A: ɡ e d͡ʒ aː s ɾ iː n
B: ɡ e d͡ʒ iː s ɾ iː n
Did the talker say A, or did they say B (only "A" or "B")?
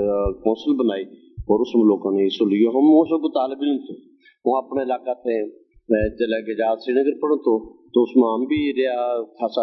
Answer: A